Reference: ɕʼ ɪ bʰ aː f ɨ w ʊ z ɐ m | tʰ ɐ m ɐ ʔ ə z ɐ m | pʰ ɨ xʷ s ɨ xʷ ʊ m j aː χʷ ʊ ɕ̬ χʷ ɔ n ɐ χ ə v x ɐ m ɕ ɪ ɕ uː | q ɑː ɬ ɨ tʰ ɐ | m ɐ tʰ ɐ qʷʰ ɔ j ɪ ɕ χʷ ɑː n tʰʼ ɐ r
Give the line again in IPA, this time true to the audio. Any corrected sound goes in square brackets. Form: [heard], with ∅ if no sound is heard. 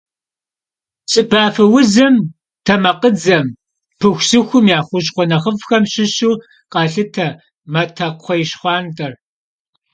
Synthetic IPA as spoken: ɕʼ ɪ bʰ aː f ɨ w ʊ z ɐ m | tʰ ɐ m ɐ [q] ə [d͡z] ɐ m | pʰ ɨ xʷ s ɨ xʷ ʊ m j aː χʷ ʊ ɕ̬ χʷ ɔ n ɐ χ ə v x ɐ m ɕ ɪ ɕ uː | q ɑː ɬ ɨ tʰ ɐ | m ɐ tʰ ɐ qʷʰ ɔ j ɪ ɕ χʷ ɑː n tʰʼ ɐ r

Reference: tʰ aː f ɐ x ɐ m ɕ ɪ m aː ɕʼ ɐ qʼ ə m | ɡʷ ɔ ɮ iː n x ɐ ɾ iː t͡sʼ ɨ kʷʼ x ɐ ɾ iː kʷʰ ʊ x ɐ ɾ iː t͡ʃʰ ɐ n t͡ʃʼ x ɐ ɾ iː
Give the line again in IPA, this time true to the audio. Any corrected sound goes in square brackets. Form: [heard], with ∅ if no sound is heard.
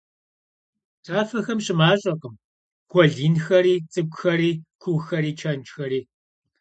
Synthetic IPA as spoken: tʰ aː f ɐ x ɐ m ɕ ɪ m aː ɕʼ ɐ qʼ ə m | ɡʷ ɔ ɮ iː n x ɐ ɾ iː t͡sʼ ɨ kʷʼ x ɐ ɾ iː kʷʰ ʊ x ɐ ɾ iː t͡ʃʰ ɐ n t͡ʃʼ x ɐ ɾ iː

